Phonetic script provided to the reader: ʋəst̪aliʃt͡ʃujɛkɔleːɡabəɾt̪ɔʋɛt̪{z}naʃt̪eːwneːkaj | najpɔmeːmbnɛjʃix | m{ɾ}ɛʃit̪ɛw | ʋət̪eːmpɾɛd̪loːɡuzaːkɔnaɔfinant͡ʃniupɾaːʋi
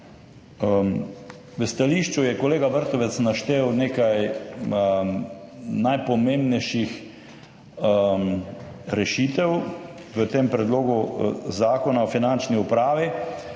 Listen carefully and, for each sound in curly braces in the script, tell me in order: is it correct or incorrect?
incorrect: s, correct

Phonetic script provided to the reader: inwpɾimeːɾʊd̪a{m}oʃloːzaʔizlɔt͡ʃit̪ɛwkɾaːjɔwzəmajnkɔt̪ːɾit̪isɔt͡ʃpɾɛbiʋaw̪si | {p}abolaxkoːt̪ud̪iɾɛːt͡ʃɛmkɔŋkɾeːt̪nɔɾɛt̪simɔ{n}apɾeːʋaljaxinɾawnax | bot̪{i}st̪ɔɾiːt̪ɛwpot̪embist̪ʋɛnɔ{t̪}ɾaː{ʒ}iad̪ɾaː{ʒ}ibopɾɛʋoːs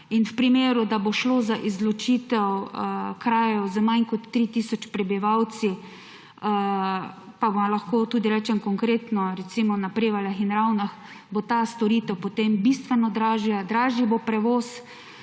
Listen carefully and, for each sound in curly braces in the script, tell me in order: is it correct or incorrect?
incorrect: b, correct, correct, incorrect: a, incorrect: d̪, correct, correct

